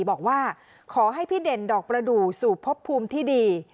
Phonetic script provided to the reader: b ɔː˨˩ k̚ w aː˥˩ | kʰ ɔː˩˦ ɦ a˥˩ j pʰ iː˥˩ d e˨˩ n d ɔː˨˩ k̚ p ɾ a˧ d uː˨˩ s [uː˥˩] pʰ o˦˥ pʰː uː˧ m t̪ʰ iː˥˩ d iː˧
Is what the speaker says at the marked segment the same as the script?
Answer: no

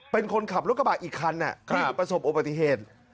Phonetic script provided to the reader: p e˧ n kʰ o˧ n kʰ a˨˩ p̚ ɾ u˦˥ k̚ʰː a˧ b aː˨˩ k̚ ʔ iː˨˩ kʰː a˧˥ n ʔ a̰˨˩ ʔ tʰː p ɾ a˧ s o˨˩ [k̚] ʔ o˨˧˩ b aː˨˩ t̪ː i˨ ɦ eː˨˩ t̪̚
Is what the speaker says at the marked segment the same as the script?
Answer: no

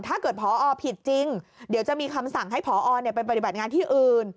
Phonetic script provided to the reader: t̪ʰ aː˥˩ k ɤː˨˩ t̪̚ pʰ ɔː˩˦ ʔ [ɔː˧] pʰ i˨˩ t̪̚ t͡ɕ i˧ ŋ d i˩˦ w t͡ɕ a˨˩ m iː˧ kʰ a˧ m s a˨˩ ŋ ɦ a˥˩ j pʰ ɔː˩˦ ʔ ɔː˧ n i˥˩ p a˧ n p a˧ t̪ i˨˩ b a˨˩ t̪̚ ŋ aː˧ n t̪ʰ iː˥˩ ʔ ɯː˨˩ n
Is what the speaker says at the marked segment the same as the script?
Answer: yes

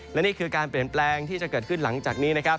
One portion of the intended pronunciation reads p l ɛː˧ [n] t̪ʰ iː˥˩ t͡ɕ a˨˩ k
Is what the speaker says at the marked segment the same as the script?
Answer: no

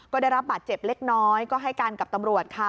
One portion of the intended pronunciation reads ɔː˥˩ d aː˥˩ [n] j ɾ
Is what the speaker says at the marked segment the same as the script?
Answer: no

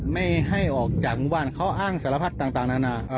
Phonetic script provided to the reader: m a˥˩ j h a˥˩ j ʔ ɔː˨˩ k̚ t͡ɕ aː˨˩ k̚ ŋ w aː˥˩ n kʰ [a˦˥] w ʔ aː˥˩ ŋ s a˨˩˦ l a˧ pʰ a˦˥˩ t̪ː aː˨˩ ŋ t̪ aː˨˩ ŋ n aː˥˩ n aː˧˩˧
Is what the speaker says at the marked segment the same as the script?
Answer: yes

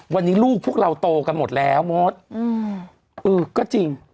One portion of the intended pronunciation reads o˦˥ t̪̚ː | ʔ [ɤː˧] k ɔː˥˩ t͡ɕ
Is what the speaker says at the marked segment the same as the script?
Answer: yes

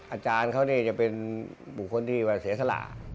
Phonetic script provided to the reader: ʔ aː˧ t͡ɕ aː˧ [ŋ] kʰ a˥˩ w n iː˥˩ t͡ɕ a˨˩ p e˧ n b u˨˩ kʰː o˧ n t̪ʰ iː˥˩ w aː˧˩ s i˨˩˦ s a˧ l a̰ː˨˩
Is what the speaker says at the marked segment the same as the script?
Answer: no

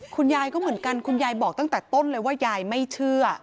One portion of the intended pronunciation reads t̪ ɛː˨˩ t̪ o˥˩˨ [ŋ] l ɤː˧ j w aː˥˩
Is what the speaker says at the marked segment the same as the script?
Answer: no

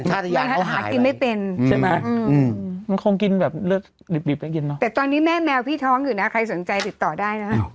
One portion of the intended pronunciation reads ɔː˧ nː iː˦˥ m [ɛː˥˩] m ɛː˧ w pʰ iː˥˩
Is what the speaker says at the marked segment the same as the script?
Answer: yes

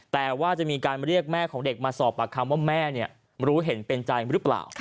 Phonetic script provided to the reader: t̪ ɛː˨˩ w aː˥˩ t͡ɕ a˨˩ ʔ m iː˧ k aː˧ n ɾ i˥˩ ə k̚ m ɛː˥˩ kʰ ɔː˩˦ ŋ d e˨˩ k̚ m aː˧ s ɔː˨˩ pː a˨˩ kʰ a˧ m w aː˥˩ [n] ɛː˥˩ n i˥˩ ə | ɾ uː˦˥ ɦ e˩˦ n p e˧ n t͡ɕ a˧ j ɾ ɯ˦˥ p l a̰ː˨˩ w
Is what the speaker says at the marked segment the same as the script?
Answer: no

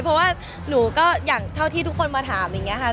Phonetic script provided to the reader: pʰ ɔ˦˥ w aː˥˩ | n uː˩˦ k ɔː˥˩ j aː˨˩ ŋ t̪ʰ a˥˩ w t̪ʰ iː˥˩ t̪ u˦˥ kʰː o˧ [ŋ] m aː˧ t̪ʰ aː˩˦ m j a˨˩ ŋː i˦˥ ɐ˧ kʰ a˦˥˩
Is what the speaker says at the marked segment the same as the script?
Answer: no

